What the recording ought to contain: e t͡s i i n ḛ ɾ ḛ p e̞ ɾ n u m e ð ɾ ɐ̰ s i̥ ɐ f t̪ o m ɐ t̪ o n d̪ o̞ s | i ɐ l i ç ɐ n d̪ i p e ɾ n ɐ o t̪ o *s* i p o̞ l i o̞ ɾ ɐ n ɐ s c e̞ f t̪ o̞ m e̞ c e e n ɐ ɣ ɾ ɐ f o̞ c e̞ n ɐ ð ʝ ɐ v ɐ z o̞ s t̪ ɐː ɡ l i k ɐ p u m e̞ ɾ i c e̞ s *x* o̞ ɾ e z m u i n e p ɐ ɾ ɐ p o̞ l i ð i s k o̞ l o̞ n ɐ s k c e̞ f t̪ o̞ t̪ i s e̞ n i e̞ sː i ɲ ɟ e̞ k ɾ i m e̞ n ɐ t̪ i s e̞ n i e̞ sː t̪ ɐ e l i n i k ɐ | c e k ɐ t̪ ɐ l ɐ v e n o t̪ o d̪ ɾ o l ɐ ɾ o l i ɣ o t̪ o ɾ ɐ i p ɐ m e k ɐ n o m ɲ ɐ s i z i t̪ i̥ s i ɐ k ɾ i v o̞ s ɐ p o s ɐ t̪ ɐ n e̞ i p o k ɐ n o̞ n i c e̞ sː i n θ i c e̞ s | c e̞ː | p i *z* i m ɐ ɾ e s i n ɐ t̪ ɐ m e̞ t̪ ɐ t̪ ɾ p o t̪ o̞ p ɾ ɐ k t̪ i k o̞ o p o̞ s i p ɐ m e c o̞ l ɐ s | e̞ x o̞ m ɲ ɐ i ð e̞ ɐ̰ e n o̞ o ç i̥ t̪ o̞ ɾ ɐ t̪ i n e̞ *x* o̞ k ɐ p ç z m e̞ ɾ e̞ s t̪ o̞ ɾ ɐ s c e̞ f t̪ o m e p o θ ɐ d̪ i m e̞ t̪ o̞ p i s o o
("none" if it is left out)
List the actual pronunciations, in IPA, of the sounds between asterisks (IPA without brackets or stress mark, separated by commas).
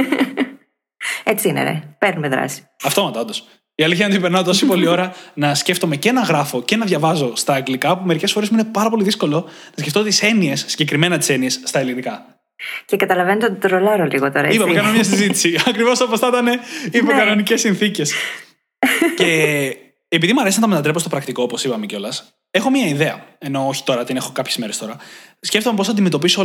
s, f, ð, x